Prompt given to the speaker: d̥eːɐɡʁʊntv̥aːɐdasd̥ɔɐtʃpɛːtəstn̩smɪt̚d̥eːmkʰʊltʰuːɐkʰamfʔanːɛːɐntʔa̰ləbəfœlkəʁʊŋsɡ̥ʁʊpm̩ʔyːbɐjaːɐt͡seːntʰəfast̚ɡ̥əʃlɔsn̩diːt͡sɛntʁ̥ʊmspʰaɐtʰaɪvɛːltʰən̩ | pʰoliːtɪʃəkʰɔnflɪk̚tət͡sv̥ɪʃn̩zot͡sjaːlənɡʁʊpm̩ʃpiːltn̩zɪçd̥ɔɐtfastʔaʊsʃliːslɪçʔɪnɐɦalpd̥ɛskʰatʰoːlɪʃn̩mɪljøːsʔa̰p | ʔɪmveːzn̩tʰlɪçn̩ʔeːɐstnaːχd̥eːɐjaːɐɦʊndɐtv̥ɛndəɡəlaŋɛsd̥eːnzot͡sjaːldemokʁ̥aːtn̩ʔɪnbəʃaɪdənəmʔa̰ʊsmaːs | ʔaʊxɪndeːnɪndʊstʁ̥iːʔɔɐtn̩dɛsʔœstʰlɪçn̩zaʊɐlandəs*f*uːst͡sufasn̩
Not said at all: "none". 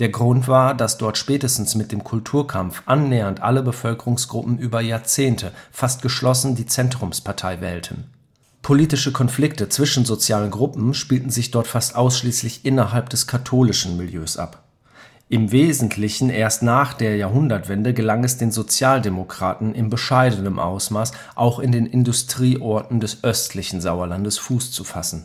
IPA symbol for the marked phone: f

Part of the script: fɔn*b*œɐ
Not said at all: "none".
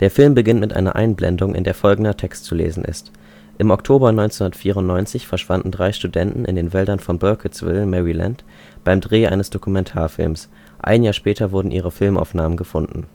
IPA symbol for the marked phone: b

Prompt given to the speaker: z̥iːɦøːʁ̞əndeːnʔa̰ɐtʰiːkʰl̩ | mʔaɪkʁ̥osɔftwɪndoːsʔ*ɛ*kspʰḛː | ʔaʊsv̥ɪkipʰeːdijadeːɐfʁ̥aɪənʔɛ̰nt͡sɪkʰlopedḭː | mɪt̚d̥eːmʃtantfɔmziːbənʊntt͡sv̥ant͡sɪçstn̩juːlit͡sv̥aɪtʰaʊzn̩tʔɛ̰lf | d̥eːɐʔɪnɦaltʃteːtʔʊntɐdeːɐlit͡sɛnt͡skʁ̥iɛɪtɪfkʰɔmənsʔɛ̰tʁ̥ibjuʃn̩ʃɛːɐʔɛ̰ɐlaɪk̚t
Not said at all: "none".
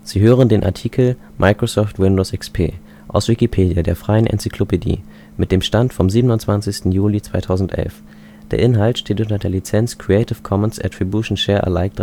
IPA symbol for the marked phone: ɛ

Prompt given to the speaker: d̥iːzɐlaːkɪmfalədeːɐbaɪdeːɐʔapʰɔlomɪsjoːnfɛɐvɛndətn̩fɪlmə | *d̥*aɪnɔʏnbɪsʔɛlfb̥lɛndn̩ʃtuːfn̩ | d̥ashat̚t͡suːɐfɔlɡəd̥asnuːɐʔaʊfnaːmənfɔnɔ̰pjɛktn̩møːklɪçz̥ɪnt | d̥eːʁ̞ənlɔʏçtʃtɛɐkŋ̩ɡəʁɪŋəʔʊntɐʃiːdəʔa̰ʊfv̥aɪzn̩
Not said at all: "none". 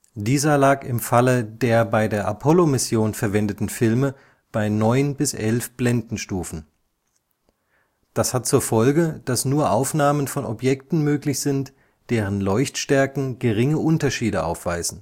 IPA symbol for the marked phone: b̥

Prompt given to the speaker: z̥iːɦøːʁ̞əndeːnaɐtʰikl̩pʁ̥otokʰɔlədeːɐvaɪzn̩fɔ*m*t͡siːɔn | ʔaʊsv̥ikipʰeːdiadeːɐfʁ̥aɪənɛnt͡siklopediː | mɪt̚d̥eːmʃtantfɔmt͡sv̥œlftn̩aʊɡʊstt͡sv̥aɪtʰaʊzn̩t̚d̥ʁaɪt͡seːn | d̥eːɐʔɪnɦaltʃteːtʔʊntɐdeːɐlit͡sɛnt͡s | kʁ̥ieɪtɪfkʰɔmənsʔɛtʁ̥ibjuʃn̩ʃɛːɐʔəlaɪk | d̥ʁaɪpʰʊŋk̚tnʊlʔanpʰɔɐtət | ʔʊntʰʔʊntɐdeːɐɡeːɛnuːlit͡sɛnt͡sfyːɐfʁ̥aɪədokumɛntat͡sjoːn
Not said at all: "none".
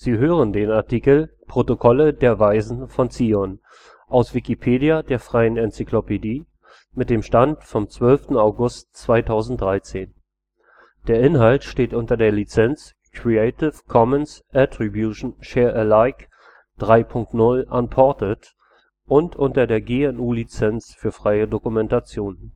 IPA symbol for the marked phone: n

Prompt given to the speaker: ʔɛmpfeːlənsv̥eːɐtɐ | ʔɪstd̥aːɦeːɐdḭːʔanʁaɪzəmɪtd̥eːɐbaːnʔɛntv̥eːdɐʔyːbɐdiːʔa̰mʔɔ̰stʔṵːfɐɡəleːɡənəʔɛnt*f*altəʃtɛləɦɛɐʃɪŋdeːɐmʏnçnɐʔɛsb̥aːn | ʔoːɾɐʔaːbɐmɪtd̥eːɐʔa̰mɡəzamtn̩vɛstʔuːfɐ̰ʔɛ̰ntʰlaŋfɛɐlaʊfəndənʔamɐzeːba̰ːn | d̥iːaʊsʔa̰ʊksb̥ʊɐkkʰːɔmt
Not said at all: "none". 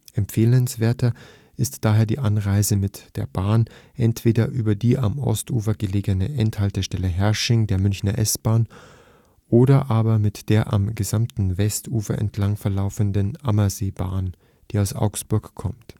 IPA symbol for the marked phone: h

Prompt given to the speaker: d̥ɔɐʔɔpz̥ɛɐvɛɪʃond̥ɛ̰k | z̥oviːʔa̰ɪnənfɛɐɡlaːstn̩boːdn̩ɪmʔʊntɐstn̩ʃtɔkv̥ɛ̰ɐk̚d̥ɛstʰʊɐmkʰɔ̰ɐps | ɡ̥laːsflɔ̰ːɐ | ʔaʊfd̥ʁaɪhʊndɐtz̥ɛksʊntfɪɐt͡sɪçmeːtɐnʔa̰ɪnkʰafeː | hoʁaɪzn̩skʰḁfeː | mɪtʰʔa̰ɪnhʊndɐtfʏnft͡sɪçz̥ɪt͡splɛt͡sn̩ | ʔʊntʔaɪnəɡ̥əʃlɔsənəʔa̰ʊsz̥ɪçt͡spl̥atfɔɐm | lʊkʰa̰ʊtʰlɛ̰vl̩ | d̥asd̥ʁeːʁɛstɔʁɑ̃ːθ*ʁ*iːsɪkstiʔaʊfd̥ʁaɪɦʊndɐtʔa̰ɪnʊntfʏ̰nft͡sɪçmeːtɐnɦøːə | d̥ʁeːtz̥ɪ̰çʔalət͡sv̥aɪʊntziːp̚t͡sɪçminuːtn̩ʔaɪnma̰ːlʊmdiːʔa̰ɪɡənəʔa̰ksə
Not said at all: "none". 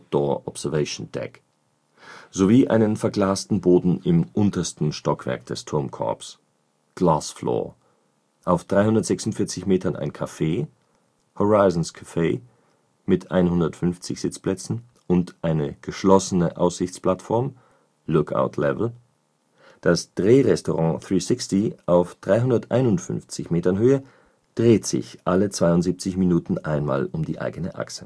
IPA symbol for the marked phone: ʁ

